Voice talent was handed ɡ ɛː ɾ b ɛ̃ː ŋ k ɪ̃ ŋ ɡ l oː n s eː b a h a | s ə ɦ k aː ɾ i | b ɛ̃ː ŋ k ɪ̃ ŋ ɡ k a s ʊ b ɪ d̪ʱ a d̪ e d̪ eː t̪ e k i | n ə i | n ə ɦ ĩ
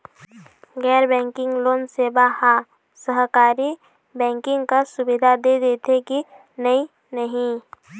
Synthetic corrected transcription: ɡ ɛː ɾ b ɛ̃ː ŋ k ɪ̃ ŋ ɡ l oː n s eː b a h a | s ə ɦ k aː ɾ i | b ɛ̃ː ŋ k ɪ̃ ŋ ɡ k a s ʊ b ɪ d̪ʱ a d̪ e d̪ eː t̪ e k i | n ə i | n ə ɦ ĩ